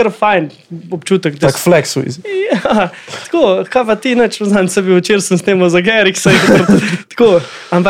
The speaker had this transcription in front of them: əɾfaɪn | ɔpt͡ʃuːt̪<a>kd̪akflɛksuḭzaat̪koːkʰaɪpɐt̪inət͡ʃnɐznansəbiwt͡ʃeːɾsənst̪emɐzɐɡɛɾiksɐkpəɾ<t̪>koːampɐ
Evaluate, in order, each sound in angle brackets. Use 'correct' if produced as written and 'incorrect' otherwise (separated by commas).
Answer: incorrect, correct